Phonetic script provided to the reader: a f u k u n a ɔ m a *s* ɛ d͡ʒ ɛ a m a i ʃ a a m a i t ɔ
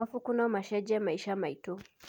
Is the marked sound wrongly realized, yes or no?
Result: yes